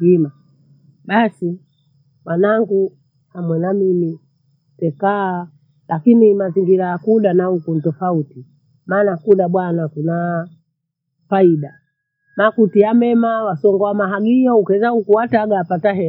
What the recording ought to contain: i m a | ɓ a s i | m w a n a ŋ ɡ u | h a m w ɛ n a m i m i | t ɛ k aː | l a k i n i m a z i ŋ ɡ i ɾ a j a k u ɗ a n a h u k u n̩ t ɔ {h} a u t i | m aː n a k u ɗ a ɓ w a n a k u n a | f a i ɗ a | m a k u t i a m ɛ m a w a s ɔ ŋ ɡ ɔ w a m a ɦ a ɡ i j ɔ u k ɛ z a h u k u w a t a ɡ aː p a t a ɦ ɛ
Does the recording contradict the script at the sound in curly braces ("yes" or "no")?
yes